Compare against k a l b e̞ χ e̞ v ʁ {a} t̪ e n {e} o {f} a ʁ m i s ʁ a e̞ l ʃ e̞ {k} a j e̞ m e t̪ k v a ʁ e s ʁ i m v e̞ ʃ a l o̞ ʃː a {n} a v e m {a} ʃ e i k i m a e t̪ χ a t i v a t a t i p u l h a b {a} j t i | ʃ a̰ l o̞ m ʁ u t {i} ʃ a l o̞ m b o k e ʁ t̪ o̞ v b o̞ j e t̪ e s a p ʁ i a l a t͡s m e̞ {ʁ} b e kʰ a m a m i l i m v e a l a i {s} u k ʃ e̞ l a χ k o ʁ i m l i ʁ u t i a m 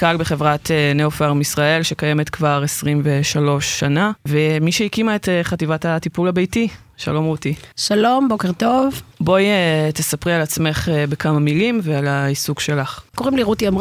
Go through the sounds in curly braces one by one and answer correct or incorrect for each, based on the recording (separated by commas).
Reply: correct, correct, correct, correct, correct, incorrect, incorrect, correct, incorrect, correct